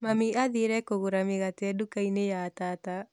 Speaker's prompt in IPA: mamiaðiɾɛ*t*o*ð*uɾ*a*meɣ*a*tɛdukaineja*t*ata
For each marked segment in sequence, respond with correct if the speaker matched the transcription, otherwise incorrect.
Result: incorrect, incorrect, correct, correct, correct

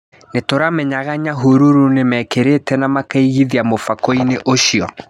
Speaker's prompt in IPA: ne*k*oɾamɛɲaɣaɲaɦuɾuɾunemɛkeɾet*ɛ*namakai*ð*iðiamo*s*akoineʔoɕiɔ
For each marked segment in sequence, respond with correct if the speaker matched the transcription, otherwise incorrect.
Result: incorrect, correct, incorrect, incorrect

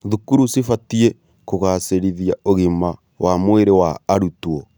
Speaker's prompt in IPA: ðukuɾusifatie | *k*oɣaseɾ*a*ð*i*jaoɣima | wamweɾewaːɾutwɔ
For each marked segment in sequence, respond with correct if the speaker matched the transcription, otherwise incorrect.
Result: correct, incorrect, correct

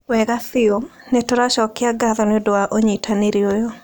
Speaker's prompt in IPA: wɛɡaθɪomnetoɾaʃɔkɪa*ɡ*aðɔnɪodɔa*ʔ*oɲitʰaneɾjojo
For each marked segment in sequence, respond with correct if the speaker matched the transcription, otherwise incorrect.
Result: correct, correct

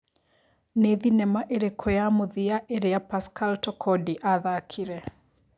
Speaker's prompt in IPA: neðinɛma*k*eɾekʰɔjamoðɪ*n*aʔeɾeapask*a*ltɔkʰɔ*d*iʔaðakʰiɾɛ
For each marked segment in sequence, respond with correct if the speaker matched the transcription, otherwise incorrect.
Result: incorrect, incorrect, correct, correct

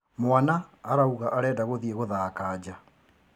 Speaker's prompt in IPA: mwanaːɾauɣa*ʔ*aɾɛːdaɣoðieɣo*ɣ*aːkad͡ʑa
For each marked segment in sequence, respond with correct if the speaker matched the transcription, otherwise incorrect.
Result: correct, incorrect

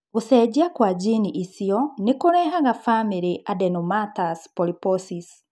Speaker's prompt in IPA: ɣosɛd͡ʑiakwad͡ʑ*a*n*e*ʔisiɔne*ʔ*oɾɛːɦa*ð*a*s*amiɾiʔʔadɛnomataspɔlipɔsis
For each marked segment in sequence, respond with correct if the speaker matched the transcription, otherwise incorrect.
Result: incorrect, incorrect, incorrect, incorrect, incorrect

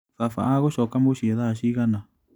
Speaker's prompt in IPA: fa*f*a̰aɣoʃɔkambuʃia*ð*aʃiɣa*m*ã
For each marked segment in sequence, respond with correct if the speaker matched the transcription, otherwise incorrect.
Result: correct, correct, incorrect

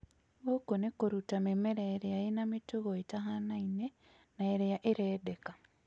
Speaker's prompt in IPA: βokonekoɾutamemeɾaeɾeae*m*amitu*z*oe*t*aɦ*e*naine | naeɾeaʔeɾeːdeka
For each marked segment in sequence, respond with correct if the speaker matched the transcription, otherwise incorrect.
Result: incorrect, incorrect, correct, incorrect

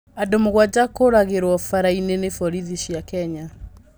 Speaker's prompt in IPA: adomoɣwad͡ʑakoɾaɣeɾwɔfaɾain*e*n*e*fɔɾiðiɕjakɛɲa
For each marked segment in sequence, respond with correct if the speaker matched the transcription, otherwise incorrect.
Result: correct, correct

